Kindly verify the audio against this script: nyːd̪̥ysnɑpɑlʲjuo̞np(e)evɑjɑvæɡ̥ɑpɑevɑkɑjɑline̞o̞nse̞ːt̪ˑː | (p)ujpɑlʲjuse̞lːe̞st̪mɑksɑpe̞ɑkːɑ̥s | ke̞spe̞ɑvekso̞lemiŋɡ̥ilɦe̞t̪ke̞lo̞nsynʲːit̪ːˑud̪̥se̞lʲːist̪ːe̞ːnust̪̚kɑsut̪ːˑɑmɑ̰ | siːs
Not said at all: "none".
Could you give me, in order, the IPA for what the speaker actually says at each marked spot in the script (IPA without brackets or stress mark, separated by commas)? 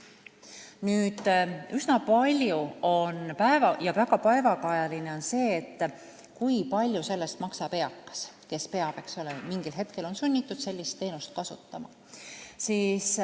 æ, k